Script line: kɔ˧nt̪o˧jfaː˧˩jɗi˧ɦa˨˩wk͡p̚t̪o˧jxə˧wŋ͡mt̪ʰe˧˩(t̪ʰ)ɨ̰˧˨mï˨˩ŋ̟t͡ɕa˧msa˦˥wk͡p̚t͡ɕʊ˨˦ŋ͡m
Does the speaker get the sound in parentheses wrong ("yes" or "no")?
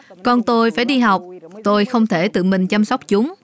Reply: yes